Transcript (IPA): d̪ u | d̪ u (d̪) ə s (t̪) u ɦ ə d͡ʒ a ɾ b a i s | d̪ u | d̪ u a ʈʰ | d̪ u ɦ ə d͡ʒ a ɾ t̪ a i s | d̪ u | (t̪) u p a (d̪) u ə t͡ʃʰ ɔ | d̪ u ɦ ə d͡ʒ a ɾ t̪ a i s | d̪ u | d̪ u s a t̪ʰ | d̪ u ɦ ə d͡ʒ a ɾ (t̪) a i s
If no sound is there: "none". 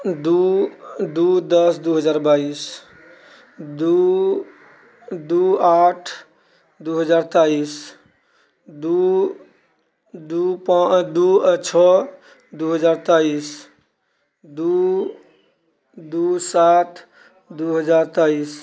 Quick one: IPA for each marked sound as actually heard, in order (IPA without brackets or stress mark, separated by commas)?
d̪, d̪, d̪, d̪, t̪